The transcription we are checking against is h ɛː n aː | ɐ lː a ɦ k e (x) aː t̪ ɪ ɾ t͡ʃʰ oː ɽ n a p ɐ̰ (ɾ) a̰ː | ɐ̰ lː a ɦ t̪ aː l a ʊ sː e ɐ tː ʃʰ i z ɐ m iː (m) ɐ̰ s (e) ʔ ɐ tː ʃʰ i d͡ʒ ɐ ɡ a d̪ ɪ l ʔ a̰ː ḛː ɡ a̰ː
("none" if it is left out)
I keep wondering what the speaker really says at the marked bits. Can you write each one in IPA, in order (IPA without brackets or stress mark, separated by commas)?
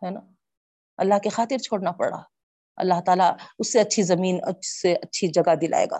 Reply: x, ɽ, n, e